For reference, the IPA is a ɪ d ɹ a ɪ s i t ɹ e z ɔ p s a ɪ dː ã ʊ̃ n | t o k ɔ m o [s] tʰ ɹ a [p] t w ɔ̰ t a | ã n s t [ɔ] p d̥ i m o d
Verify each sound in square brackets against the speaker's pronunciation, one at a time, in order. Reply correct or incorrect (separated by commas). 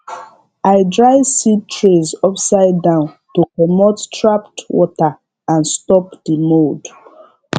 incorrect, correct, correct